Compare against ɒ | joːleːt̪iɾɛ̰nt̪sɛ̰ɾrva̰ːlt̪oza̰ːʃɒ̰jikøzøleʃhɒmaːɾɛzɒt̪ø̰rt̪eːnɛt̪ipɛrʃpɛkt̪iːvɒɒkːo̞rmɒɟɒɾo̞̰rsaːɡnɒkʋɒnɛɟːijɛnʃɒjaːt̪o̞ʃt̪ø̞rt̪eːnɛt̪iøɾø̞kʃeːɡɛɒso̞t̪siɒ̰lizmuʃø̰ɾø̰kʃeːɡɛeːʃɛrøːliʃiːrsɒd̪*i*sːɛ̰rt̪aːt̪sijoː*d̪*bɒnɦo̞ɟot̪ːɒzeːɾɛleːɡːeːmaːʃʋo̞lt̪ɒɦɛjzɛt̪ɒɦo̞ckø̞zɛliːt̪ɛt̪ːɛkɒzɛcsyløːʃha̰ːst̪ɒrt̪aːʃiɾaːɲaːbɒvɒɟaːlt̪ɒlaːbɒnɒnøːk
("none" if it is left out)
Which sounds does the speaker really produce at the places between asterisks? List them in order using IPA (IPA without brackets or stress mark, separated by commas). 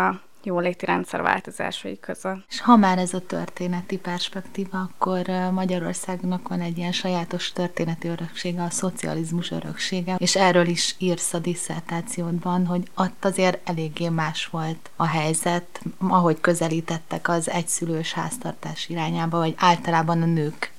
i, d̪